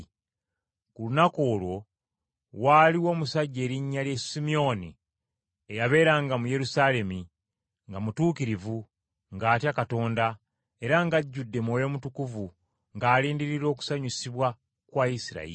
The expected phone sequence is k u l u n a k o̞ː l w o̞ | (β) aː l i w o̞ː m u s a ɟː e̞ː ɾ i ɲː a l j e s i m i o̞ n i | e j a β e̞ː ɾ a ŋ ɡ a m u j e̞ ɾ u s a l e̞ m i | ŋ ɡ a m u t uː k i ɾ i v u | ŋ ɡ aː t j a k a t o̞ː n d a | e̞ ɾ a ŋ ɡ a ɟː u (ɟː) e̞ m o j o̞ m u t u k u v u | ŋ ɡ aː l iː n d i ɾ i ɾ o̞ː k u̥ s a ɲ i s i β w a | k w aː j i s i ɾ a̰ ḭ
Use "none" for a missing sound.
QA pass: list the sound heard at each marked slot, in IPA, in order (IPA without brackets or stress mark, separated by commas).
w, dː